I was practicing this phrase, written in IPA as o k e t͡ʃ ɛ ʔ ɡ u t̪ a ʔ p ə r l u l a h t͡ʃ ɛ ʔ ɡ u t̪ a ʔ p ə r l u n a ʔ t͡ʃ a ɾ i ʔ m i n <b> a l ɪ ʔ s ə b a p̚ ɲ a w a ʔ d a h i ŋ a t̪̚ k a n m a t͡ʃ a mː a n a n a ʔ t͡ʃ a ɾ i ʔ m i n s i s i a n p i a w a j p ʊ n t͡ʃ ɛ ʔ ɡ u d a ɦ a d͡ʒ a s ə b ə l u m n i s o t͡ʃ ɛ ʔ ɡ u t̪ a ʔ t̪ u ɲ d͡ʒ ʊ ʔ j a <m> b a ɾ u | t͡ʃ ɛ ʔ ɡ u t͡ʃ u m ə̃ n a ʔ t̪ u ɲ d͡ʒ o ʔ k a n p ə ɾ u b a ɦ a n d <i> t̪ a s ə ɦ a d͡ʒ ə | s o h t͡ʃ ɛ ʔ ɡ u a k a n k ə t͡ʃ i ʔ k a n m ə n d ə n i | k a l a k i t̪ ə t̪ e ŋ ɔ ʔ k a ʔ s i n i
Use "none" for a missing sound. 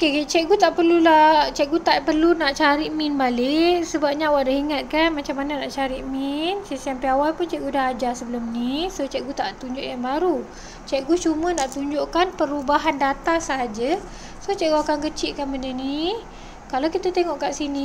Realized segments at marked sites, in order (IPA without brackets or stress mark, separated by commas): b, ŋ, a